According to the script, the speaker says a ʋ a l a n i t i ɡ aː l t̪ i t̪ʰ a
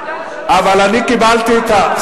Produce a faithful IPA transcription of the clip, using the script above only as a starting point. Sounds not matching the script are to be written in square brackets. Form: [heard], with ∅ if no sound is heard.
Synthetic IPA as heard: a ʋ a l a n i [k] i [b] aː l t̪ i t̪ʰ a

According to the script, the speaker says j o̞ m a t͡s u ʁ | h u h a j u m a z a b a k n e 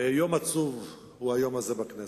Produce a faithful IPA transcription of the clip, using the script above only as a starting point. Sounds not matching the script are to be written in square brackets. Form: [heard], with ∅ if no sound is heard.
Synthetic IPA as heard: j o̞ m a t͡s u [v] | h u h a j [o] m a z [e] b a k n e

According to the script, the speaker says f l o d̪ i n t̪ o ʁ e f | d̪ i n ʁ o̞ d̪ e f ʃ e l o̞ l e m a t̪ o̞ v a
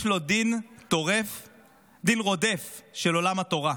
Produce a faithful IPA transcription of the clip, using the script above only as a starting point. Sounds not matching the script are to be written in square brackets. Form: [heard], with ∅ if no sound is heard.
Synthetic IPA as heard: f l o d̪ i n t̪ o ʁ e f | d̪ i n ʁ o̞ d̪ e f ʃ e l o̞ l [a] m a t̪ o̞ [ʁ] a

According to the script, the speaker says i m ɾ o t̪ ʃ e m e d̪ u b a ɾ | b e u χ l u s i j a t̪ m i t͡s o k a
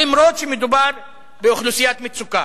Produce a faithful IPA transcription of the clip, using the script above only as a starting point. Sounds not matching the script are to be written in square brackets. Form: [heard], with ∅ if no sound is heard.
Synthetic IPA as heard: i m ɾ o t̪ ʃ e m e d̪ u b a ɾ | b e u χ l u s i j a t̪ m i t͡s [u] k a

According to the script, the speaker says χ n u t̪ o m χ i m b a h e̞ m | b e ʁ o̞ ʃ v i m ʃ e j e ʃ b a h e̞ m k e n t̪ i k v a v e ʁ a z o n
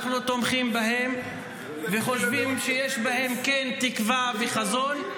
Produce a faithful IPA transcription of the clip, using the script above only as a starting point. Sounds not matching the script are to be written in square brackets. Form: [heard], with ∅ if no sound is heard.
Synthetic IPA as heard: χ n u t̪ o m χ i m b a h e̞ m | [v] e [χ] o̞ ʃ v i m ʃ e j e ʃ b a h e̞ m k e n t̪ i k v a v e [χ] a z o n

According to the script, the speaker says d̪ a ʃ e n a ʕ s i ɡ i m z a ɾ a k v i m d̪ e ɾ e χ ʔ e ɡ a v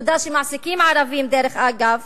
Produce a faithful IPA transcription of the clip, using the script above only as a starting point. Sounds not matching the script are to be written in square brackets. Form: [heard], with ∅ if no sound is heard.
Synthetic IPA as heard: d̪ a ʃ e [m] a ʕ s i [k] i m [ʕ] a ɾ a [∅] v i m d̪ e ɾ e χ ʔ [a] ɡ a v

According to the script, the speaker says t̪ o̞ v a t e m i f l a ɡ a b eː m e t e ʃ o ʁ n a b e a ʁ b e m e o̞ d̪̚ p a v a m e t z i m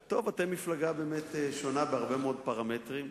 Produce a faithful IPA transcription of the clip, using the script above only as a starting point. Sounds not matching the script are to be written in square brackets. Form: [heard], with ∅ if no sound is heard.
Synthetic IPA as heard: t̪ o̞ v a t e m i f l a ɡ a b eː m e t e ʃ o [∅] n a b e a ʁ b e m e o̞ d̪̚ p a [ʁ] a m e t [ʁ] i m

